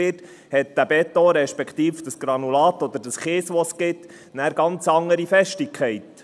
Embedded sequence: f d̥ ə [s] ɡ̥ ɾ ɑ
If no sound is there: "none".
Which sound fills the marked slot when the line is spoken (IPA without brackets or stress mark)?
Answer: s